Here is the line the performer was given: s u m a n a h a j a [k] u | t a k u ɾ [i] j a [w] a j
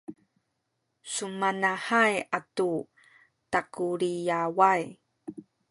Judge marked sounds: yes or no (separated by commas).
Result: no, yes, yes